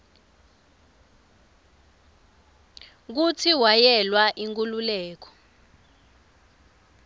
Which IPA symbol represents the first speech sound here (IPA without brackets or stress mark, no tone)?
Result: k̬